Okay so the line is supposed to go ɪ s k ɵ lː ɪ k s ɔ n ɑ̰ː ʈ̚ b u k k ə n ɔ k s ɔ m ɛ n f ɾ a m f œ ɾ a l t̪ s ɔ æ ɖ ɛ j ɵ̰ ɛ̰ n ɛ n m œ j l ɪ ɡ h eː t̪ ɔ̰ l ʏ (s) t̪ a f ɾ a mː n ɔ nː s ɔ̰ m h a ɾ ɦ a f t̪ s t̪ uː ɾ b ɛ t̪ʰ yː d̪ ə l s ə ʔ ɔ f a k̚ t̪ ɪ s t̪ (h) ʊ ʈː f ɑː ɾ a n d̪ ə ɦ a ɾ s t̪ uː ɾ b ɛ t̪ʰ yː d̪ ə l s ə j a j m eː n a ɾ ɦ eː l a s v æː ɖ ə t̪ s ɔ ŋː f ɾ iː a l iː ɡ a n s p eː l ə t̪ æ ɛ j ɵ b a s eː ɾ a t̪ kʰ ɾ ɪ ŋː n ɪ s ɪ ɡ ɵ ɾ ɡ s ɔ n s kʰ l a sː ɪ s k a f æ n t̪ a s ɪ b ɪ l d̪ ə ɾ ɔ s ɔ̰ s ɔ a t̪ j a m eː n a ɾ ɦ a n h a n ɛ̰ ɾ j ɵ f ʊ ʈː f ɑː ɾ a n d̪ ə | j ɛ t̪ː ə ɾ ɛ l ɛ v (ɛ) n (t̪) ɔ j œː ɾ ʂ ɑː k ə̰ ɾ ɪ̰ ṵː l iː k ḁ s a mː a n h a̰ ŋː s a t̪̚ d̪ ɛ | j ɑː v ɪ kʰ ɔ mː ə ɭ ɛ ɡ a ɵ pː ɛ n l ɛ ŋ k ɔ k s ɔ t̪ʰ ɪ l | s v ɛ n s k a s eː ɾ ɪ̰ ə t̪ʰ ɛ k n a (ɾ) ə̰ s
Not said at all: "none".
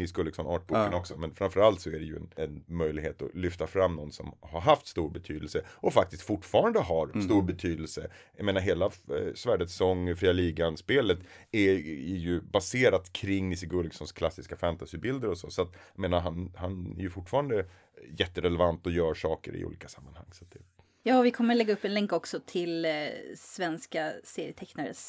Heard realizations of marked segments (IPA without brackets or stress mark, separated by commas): f, f, a, t̪, ɾ